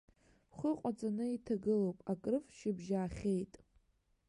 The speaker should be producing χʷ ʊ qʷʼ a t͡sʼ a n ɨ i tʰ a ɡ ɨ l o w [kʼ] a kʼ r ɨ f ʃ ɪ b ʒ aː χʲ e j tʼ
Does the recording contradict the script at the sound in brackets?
yes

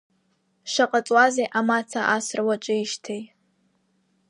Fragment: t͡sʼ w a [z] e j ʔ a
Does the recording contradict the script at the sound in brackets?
no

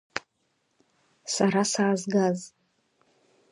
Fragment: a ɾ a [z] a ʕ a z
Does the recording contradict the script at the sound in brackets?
yes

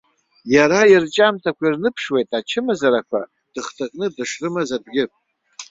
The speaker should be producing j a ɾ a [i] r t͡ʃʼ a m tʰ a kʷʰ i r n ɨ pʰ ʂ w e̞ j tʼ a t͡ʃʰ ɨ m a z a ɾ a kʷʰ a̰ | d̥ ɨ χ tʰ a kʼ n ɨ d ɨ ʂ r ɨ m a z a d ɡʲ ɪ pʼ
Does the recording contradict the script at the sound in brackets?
no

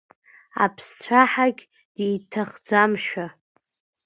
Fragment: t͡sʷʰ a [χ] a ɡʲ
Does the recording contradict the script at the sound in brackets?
yes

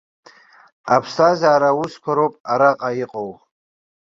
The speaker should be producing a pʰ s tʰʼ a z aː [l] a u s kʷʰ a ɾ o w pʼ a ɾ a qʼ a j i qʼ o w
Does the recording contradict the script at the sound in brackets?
yes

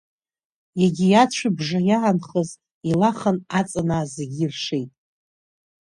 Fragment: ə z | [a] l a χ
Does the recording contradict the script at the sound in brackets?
yes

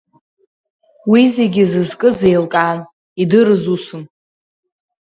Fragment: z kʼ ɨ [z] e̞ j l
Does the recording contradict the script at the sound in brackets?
no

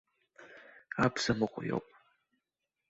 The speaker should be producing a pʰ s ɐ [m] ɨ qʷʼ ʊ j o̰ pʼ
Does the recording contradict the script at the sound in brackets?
no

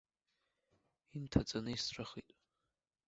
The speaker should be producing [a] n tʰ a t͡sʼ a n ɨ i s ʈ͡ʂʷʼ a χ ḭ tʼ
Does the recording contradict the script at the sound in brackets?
yes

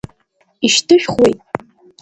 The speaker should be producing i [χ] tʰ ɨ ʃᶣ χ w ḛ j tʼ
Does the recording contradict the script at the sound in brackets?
yes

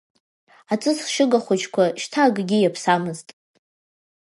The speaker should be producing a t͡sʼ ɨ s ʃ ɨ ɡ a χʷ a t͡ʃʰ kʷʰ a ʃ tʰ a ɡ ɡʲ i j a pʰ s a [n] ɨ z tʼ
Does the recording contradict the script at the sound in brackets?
yes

